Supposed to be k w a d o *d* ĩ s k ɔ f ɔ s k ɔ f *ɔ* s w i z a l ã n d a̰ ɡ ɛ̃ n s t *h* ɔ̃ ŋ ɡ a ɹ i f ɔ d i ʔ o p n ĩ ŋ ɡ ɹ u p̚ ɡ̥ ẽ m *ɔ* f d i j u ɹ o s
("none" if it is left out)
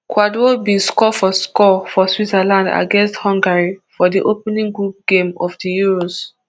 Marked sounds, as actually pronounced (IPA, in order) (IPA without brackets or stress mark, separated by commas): b, ɔ, h, ɔ